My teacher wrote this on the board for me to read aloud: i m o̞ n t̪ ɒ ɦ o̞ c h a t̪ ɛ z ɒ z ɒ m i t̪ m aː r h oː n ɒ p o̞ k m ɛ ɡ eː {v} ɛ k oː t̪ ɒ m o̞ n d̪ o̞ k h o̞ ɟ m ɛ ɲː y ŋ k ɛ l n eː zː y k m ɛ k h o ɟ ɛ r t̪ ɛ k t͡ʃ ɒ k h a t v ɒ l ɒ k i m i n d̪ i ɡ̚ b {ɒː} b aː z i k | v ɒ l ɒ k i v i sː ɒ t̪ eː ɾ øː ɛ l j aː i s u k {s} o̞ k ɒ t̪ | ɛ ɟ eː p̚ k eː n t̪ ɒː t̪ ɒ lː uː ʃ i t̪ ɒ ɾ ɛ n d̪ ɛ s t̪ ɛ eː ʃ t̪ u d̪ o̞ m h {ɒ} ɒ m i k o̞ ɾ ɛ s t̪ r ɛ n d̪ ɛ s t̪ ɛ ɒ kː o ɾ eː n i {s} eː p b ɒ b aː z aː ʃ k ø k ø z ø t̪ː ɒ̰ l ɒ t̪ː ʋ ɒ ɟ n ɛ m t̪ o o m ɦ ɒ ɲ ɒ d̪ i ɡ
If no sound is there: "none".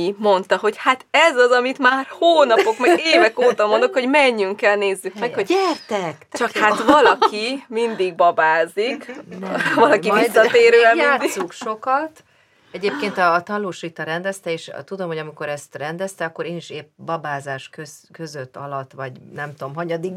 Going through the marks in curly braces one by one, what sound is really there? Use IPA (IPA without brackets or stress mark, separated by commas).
v, ɒ, ʃ, o, ʃ